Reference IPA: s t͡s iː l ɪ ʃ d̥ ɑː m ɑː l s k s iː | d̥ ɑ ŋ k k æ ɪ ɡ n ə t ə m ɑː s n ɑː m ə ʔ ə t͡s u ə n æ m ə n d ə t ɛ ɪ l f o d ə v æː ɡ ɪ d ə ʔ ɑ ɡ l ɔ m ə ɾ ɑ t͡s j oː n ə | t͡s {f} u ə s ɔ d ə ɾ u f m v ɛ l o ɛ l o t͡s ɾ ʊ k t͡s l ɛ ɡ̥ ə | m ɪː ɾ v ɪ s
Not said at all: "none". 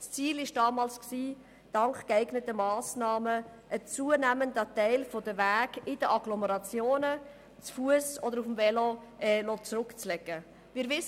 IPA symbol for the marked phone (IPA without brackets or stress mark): f